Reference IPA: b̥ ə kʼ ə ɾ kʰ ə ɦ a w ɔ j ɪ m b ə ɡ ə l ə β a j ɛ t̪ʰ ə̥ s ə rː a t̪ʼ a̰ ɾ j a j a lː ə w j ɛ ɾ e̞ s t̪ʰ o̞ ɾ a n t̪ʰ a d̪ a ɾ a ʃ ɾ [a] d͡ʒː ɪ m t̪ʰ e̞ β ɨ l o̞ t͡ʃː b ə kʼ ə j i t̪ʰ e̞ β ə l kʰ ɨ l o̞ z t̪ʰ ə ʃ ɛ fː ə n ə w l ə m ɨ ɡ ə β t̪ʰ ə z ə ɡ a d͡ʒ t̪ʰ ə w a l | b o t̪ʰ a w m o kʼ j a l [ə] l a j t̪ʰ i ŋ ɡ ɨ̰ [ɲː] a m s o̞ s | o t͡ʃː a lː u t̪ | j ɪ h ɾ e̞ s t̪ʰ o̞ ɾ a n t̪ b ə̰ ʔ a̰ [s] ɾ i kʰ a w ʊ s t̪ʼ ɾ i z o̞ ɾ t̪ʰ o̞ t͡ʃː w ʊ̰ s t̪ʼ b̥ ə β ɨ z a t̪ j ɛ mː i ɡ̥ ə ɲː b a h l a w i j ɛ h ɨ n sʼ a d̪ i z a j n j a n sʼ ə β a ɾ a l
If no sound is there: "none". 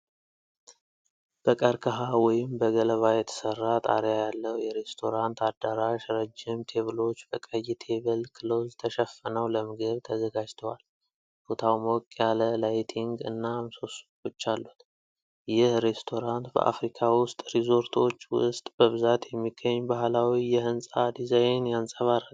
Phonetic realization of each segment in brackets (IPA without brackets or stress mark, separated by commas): ə, ə, nː, f